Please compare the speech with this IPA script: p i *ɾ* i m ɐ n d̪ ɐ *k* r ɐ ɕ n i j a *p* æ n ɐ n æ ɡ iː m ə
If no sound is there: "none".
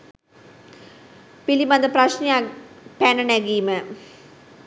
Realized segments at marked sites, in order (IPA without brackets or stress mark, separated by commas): l, p, p